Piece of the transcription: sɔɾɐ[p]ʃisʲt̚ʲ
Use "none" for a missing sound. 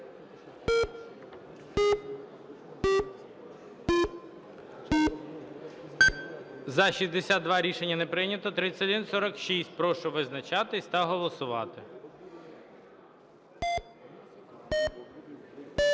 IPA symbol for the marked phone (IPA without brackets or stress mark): k